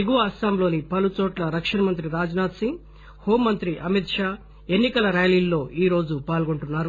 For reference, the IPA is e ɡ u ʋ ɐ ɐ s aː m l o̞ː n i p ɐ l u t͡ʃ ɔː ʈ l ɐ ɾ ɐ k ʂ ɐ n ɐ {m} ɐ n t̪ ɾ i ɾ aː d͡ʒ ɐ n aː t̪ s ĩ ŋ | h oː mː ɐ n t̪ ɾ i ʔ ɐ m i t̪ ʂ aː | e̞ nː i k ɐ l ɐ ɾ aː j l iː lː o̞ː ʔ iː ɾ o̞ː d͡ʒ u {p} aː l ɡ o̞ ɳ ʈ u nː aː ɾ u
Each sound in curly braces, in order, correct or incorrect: correct, correct

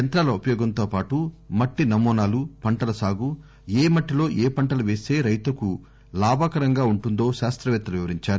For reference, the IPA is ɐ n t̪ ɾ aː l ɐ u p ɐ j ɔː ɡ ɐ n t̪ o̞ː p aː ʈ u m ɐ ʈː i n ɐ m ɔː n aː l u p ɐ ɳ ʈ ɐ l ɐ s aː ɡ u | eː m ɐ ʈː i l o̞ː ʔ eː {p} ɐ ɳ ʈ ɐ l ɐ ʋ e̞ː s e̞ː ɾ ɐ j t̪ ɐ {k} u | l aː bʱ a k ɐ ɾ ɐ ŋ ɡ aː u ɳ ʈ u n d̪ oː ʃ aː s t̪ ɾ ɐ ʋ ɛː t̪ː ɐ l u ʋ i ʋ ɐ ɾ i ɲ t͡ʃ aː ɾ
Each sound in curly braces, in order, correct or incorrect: correct, correct

